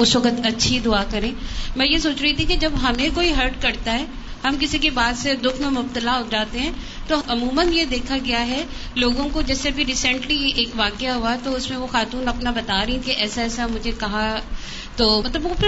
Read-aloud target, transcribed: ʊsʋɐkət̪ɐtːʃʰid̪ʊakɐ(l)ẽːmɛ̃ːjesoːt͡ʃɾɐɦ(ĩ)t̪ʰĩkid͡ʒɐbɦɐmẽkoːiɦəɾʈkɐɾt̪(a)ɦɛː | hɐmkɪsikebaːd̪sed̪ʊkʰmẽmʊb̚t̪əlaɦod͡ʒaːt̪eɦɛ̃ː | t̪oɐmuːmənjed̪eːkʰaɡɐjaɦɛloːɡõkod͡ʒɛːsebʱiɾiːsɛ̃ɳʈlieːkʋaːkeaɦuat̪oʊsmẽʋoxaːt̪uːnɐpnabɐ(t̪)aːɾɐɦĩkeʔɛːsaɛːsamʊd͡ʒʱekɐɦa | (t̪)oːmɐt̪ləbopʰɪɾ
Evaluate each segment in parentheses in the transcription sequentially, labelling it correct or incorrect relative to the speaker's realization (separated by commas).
incorrect, incorrect, correct, correct, correct